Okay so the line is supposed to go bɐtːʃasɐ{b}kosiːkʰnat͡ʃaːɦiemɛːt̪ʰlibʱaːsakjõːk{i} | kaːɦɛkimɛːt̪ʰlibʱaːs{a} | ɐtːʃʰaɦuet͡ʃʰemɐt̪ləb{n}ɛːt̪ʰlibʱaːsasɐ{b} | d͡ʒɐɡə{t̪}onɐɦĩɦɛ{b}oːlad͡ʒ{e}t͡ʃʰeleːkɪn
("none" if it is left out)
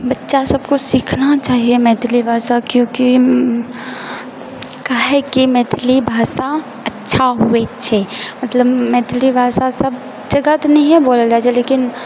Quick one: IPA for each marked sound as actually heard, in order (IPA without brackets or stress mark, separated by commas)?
b, i, a, m, b, t̪, b, a